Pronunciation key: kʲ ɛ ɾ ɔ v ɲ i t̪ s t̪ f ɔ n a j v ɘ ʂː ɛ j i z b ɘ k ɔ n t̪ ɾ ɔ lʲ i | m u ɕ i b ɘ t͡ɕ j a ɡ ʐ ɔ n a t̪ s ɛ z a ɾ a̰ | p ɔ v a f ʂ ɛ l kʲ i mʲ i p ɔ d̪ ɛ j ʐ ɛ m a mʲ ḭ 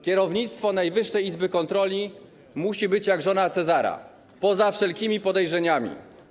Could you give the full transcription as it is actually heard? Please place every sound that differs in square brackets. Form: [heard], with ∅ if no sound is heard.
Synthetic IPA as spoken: kʲ ɛ ɾ ɔ v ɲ i t̪ s t̪ f ɔ n a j v ɘ ʂː ɛ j i z b ɘ k ɔ n t̪ ɾ ɔ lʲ i | m u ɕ i b ɘ t͡ɕ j a ɡ ʐ ɔ n a t̪ s ɛ z a ɾ a̰ | p ɔ [z] a f ʂ ɛ l kʲ i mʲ i p ɔ d̪ ɛ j ʐ ɛ [ɲ] a mʲ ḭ